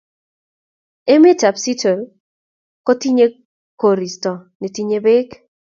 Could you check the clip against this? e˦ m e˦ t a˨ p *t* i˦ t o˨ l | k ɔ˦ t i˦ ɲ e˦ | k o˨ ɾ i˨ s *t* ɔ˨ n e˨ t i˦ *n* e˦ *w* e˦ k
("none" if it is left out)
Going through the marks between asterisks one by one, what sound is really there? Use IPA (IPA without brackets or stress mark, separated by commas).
s, t, ɲ, b